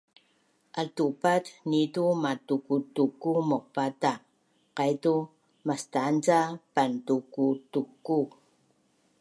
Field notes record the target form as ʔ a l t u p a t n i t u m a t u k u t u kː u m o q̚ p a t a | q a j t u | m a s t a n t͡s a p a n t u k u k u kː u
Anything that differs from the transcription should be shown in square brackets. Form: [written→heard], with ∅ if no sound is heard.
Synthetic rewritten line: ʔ a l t u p a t n i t u m a t u k u t u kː u m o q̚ p a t a | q a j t u | m a s t a n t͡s a p a n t u k u [k→t] u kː u

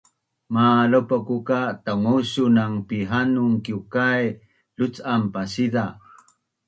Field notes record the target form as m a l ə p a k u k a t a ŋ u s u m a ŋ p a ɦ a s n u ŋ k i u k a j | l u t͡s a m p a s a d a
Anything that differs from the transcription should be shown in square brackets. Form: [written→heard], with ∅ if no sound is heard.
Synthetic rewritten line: m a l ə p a k u k a t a ŋ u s u [m→n] a ŋ p [a→i] ɦ a [s→∅] n u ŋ k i u k a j | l u t͡s a m p a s [a→i] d a

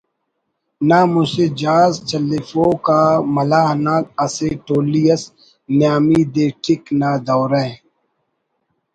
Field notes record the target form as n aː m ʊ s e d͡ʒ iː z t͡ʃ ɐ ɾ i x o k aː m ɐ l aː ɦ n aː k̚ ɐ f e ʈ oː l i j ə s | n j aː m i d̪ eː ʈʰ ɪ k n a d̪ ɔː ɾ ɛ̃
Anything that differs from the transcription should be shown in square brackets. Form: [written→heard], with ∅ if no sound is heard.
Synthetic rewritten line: n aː m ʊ s e d͡ʒ [iː→aː] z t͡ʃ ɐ [ɾ→l] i [x→f] o k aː m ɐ l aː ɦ n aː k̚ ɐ [f→s] e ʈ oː l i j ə s | n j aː m i d̪ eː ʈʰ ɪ k n a d̪ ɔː ɾ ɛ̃

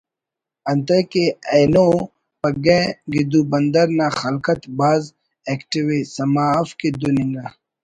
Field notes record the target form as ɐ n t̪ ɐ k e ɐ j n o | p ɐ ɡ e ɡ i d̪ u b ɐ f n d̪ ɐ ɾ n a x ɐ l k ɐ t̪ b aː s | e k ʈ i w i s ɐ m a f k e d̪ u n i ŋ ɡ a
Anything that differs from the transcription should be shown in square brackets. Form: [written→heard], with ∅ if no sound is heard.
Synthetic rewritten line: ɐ n t̪ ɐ k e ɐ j n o | p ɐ ɡ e ɡ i d̪ u b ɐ [f→∅] n d̪ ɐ ɾ n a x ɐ l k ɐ t̪ b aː [s→z] | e k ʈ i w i s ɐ m a f k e d̪ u n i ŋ ɡ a

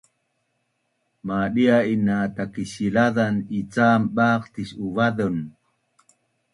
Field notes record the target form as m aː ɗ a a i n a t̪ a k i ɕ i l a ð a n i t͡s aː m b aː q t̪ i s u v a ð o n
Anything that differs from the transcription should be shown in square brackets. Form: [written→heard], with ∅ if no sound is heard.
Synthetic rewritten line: m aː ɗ [a→i] a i n a t̪ a k i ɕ i l a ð a n i t͡s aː m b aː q t̪ i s u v a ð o n

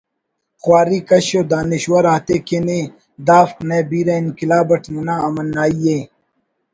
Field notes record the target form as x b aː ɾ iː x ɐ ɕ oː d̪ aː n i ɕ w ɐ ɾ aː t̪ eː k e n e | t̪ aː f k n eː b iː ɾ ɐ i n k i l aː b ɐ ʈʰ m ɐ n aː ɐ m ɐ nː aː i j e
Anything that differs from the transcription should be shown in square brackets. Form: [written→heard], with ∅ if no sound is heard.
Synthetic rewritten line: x [b→w] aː ɾ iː [x→k] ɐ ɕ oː d̪ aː n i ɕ w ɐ ɾ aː t̪ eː k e n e | [t̪→d̪] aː f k n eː b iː ɾ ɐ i n k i l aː b ɐ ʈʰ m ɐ n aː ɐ m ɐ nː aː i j e

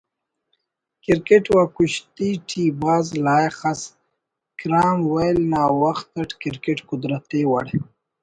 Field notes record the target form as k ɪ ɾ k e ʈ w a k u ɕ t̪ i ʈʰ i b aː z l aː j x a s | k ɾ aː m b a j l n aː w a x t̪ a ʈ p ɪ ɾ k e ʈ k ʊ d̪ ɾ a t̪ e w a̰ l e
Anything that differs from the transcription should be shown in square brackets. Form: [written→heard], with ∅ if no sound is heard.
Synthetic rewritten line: k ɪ ɾ k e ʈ w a k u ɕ t̪ i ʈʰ i b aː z l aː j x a s | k ɾ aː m [b→w] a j l n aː w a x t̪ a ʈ [p→k] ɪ ɾ k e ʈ k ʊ d̪ ɾ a t̪ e w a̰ [l→ɽ] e

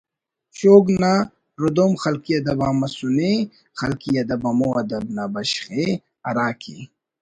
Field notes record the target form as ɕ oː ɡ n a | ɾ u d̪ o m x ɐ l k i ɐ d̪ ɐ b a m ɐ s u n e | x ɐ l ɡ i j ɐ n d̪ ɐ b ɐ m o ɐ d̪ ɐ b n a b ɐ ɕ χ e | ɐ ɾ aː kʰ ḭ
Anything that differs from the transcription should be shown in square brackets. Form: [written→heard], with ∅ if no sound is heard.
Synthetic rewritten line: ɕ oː ɡ n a | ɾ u d̪ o m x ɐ l k i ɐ d̪ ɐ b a m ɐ s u n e | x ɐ l [ɡ→k] i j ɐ [n→∅] d̪ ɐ b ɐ m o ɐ d̪ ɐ b n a b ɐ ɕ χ e | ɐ ɾ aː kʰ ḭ

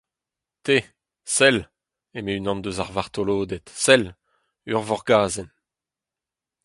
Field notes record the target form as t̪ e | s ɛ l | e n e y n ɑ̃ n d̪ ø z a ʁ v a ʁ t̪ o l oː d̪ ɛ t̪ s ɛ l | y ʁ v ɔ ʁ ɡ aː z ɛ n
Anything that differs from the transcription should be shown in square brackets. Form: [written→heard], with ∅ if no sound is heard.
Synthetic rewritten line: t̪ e | s ɛ l | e [n→m] e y n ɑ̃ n d̪ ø z a ʁ v a ʁ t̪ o l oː d̪ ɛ t̪ s ɛ l | y ʁ v ɔ ʁ ɡ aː z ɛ n

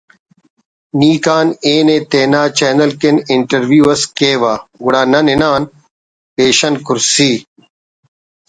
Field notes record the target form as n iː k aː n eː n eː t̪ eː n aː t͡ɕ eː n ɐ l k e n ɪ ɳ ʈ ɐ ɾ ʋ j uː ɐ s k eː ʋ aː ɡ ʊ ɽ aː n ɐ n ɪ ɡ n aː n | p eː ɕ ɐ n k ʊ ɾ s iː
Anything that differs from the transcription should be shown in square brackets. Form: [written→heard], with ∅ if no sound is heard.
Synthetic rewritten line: n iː k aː n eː n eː t̪ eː n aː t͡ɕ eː n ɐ l k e n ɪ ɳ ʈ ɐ ɾ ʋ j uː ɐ s k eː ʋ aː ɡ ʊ ɽ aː n ɐ n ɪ [ɡ→∅] n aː n | p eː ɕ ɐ n k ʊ ɾ s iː

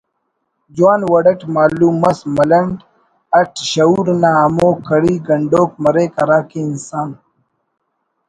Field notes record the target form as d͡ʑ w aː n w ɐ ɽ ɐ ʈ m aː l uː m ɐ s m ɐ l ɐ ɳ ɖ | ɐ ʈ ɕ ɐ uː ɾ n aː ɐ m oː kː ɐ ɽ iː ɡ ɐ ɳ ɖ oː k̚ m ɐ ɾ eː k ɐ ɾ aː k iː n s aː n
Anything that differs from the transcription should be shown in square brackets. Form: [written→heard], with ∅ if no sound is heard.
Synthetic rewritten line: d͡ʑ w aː n w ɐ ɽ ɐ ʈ m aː l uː m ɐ s m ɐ l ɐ ɳ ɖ | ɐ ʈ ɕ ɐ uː ɾ n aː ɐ m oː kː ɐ ɽ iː ɡ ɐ ɳ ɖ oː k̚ m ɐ ɾ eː k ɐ ɾ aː k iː n s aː n

